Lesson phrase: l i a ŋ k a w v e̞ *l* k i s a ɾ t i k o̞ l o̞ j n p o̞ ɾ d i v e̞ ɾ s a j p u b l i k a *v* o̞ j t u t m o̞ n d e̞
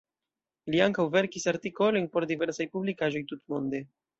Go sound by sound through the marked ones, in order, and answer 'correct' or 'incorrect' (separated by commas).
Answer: incorrect, incorrect